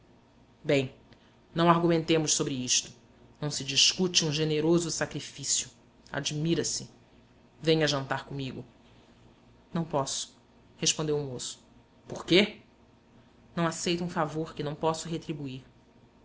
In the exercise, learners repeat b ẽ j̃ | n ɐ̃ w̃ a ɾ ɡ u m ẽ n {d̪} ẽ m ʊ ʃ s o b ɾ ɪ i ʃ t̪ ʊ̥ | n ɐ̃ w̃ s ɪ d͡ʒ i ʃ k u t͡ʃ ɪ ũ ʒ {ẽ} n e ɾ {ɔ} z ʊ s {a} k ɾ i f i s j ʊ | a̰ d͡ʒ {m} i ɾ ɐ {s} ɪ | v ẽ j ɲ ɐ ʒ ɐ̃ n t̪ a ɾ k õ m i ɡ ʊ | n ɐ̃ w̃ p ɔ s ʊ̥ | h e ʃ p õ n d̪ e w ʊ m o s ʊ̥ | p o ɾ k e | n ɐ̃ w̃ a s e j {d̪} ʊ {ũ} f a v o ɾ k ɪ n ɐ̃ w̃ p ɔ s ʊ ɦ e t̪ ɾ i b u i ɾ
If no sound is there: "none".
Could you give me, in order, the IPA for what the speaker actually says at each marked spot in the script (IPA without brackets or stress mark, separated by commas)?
t̪, e, o, a, m, s, t̪, ũ